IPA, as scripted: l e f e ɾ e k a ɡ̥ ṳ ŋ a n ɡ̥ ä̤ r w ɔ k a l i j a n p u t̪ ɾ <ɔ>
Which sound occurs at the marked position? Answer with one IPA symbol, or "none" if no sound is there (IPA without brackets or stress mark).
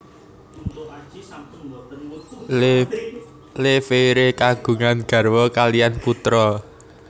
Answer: ɔ